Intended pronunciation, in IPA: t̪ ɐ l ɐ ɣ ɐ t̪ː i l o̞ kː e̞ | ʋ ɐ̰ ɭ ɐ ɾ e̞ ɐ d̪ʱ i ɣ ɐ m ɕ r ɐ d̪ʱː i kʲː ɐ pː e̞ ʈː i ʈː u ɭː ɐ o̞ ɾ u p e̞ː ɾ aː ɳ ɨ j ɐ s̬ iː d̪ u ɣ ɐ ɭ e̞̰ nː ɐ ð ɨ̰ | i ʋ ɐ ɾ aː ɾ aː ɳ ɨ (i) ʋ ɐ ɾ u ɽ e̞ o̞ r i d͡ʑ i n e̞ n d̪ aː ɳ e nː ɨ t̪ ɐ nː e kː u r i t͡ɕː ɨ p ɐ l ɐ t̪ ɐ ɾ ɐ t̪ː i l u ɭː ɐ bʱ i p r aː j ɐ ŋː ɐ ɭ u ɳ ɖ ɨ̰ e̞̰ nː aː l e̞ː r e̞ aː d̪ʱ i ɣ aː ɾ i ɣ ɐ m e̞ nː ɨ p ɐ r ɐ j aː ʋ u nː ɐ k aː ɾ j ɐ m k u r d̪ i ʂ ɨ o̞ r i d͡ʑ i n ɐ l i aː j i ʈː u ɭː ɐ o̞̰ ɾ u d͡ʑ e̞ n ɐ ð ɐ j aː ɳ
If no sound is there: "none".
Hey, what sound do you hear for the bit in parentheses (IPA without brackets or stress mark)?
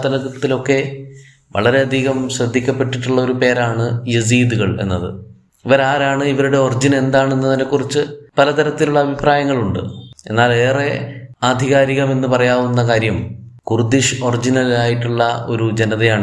i